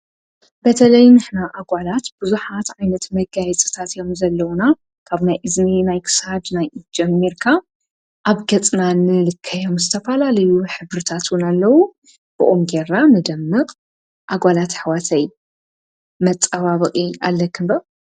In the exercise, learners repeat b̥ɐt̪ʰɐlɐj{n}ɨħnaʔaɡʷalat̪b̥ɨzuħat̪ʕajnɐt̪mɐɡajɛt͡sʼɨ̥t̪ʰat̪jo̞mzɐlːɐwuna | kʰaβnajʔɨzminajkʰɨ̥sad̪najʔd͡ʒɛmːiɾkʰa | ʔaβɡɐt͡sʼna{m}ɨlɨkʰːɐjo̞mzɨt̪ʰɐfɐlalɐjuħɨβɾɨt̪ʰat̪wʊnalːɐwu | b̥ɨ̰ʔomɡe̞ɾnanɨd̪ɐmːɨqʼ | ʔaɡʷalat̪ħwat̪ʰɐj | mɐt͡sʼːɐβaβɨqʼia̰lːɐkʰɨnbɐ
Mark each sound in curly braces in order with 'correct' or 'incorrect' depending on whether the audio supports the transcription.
correct, incorrect: n

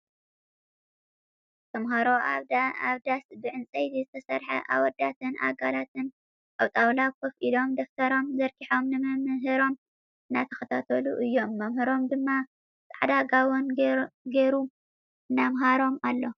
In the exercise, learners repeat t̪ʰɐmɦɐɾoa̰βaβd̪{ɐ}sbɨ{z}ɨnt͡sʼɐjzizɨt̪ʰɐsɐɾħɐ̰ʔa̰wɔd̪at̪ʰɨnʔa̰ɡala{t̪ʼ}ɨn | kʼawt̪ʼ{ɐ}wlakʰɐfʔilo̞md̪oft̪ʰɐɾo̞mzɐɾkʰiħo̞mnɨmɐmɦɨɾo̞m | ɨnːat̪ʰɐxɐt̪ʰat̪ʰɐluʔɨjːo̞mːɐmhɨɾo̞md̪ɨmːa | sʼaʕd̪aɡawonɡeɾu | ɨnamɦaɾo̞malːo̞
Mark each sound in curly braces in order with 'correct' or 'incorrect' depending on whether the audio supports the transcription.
incorrect: a, incorrect: ʕ, incorrect: t̪, incorrect: a

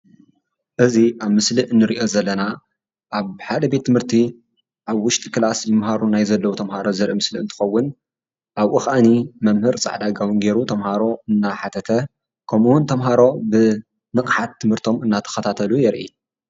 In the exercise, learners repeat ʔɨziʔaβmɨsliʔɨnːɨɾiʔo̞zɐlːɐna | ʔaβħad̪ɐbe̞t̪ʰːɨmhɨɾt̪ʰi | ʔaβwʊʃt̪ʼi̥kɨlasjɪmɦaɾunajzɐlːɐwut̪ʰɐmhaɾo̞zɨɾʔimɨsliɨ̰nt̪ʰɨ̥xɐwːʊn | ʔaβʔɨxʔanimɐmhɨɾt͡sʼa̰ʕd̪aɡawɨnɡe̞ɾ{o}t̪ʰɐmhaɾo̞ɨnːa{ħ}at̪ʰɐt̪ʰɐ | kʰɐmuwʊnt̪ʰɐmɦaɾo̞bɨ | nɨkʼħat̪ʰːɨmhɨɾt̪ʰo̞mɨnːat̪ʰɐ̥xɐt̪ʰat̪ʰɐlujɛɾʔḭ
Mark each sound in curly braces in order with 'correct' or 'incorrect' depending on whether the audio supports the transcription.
incorrect: u, correct

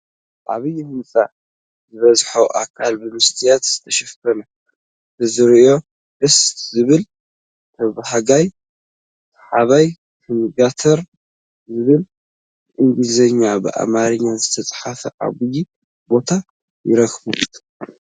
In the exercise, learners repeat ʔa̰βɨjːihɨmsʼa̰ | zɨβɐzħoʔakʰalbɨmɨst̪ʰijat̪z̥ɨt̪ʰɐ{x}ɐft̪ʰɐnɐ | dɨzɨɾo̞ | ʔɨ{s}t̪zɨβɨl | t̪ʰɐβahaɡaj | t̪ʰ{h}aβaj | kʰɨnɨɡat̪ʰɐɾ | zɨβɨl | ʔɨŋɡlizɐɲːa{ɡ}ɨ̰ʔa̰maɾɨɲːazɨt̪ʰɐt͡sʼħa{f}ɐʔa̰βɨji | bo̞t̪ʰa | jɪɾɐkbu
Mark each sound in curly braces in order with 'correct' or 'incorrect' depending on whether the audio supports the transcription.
incorrect: ʃ, correct, incorrect: ħ, incorrect: b, correct

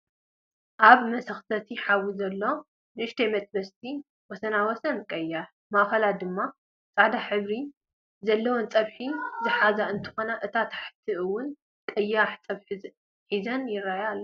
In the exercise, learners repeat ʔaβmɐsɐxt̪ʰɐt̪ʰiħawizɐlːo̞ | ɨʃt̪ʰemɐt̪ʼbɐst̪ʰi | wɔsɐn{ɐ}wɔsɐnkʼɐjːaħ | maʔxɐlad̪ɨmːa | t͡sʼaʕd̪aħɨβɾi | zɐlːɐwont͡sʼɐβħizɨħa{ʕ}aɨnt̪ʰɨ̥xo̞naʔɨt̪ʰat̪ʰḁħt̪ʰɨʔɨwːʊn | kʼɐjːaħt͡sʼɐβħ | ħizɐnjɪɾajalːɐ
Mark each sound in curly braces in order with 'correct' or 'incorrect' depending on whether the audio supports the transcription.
incorrect: a, incorrect: z

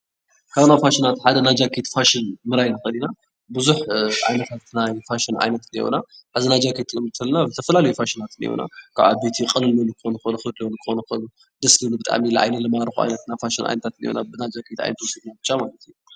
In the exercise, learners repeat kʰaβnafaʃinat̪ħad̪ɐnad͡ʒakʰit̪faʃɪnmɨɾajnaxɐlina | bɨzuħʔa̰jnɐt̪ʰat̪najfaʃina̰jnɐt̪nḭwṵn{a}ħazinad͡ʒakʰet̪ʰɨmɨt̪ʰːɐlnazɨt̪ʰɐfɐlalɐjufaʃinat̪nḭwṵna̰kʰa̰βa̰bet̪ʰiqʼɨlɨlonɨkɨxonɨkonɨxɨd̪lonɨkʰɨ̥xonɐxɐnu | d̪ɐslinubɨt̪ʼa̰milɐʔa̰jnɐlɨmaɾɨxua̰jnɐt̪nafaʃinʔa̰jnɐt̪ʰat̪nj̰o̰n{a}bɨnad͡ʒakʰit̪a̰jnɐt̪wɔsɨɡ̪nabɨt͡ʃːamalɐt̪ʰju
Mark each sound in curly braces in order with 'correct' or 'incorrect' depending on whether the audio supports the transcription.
correct, correct

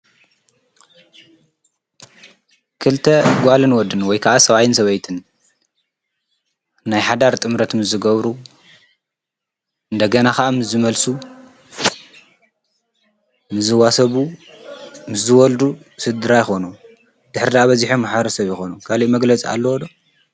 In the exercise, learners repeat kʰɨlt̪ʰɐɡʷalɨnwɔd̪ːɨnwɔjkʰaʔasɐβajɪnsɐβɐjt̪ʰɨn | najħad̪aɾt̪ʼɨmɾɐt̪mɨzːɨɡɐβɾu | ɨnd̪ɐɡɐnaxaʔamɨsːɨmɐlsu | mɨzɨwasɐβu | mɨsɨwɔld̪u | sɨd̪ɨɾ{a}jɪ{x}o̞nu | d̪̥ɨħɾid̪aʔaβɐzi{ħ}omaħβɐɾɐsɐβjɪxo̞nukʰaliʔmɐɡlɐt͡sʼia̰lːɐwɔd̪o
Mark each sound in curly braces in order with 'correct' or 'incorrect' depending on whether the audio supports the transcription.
correct, correct, correct

